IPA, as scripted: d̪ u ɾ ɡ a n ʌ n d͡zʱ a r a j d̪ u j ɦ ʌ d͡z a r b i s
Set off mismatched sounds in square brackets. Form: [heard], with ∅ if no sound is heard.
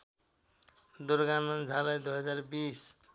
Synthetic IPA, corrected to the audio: d̪ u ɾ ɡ a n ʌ n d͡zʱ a [l] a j d̪ u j ɦ ʌ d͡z a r b i s